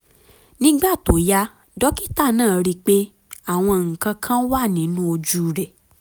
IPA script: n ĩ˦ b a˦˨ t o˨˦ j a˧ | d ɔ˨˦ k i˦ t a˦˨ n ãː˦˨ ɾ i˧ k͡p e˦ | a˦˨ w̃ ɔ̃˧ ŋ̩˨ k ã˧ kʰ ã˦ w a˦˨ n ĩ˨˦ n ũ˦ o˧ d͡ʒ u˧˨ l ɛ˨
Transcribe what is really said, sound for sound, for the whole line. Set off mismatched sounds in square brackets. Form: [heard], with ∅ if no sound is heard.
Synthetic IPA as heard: n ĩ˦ [ɡ͡b] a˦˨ t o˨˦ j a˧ | d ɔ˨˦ k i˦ t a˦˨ n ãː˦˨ ɾ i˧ k͡p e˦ | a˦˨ w̃ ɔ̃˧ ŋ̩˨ k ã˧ kʰ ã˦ w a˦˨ n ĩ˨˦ n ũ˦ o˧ d͡ʒ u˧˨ [ɾ] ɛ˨